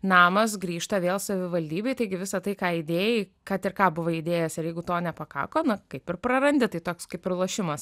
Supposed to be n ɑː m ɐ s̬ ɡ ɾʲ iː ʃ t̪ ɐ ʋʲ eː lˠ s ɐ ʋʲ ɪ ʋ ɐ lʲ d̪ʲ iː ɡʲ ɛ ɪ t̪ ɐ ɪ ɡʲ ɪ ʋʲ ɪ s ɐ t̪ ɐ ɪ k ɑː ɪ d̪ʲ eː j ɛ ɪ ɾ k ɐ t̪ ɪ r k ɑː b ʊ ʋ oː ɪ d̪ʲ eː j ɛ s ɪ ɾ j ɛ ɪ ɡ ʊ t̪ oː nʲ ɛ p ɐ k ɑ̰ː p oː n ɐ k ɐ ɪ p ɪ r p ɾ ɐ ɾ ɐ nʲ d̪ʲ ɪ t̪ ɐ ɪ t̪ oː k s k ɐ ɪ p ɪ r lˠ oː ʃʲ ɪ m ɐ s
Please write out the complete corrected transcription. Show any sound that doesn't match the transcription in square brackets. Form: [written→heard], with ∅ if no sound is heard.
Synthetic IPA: n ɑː m ɐ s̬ ɡ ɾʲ iː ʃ t̪ ɐ ʋʲ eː lˠ s ɐ ʋʲ ɪ ʋ ɐ lʲ d̪ʲ iː [ɡʲ→bʲ] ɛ ɪ t̪ ɐ ɪ ɡʲ ɪ ʋʲ ɪ s ɐ t̪ ɐ ɪ k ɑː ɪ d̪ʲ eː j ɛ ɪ [ɾ→∅] k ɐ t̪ ɪ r k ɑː b ʊ ʋ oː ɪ d̪ʲ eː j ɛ s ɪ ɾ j ɛ ɪ ɡ ʊ t̪ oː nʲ ɛ p ɐ k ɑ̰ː [p→k] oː n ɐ k ɐ ɪ p ɪ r p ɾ ɐ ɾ ɐ nʲ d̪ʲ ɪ t̪ ɐ ɪ t̪ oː k s k ɐ ɪ p ɪ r lˠ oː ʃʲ ɪ m ɐ s

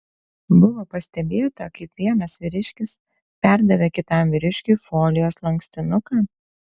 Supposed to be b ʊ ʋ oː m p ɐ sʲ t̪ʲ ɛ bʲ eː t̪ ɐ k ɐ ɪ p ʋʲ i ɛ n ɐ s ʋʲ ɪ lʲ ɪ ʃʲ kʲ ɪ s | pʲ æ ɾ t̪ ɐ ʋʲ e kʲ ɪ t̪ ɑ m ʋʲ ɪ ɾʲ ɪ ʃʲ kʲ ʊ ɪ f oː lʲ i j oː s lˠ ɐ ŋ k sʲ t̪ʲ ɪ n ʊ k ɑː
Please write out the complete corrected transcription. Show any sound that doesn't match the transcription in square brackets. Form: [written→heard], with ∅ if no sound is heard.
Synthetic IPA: b ʊ ʋ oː [m→∅] p ɐ sʲ t̪ʲ ɛ bʲ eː t̪ ɐ k ɐ ɪ p ʋʲ i ɛ n ɐ s ʋʲ ɪ [lʲ→ɾʲ] ɪ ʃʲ kʲ ɪ s | pʲ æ ɾ [t̪→d̪] ɐ ʋʲ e kʲ ɪ t̪ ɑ m ʋʲ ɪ ɾʲ ɪ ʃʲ kʲ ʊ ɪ f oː lʲ [i→ɪ] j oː s lˠ ɐ ŋ k sʲ t̪ʲ ɪ n ʊ k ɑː

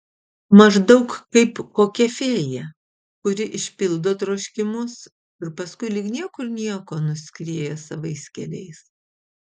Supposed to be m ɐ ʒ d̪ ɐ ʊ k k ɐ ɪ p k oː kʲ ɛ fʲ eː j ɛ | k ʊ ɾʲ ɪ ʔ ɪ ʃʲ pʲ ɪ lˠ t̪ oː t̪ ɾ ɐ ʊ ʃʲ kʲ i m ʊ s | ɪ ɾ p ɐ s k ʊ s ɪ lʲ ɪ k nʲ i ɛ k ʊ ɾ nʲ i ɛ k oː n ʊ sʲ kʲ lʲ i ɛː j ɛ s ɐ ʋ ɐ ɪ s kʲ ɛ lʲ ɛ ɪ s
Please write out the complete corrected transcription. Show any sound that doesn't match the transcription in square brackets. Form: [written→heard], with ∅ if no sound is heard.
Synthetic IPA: m ɐ ʒ d̪ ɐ ʊ k k ɐ ɪ p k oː kʲ ɛ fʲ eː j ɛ | k ʊ ɾʲ ɪ ʔ ɪ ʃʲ pʲ ɪ lˠ [t̪→d̪] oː t̪ ɾ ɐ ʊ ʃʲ kʲ [i→ɪ] m ʊ s | ɪ ɾ p ɐ s k ʊ [s→∅] ɪ lʲ ɪ k nʲ i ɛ k ʊ ɾ nʲ i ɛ k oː n ʊ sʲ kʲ [lʲ→ɾʲ] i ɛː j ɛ s ɐ ʋ ɐ ɪ s kʲ ɛ lʲ ɛ ɪ s

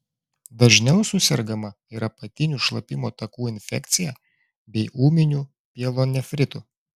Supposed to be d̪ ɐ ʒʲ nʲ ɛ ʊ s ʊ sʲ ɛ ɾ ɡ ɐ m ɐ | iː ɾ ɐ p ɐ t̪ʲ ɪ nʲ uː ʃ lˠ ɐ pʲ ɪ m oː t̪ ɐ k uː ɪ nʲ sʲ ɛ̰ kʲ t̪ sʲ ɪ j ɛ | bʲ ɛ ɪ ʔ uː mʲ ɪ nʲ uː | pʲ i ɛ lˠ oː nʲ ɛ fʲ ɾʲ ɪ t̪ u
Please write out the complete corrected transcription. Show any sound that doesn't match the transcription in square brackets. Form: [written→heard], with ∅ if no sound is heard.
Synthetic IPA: d̪ ɐ ʒʲ nʲ ɛ ʊ s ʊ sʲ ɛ ɾ ɡ ɐ m ɐ | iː ɾ ɐ p ɐ t̪ʲ ɪ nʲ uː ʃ lˠ ɐ pʲ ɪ m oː t̪ ɐ k uː ɪ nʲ [sʲ→fʲ] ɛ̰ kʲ t̪ sʲ ɪ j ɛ | bʲ ɛ ɪ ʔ uː mʲ ɪ nʲ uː | pʲ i ɛ lˠ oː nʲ ɛ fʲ ɾʲ ɪ t̪ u

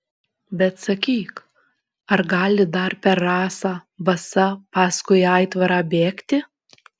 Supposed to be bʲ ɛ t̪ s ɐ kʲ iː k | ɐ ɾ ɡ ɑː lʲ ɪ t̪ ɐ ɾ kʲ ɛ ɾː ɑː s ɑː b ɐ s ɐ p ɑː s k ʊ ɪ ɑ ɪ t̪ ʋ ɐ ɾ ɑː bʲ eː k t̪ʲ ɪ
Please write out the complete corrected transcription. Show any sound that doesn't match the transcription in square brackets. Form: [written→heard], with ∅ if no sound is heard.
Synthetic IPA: bʲ ɛ t̪ s ɐ kʲ iː k | ɐ ɾ ɡ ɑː lʲ ɪ [t̪→d̪] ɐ ɾ [kʲ→pʲ] ɛ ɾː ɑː s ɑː b ɐ s ɐ p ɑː s k ʊ ɪ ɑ ɪ t̪ ʋ ɐ ɾ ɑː bʲ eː k t̪ʲ ɪ

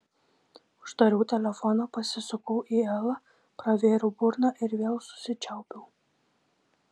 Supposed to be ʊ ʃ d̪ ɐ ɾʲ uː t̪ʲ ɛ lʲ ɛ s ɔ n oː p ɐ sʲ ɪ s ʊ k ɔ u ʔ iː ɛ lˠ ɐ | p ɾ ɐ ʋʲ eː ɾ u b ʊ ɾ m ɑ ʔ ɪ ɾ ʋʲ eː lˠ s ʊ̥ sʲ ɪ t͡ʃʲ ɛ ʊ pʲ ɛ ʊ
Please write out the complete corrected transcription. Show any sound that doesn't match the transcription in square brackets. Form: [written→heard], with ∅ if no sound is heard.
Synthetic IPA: ʊ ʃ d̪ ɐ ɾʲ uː t̪ʲ ɛ lʲ ɛ [s→f] ɔ n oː p ɐ sʲ ɪ s ʊ k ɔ [u→ʊ] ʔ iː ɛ lˠ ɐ | p ɾ ɐ ʋʲ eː ɾ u b ʊ ɾ [m→n] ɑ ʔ ɪ ɾ ʋʲ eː lˠ s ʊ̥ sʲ ɪ t͡ʃʲ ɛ ʊ pʲ ɛ ʊ

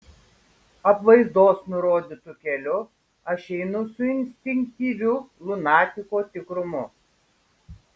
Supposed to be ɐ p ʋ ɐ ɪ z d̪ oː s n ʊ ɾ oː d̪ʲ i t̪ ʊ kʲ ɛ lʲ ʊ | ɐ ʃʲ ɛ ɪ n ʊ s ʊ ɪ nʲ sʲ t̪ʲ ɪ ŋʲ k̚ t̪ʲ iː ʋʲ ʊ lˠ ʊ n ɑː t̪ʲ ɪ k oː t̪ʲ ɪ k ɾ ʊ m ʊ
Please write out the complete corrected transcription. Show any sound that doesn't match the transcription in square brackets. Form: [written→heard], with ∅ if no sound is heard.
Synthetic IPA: ɐ p ʋ ɐ ɪ z d̪ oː s n ʊ ɾ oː d̪ʲ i t̪ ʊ kʲ ɛ lʲ ʊ | ɐ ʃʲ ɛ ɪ n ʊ s ʊ ɪ nʲ sʲ t̪ʲ ɪ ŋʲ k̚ t̪ʲ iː ʋʲ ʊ lˠ ʊ n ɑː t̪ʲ ɪ k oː t̪ʲ ɪ k ɾ ʊ m ʊ

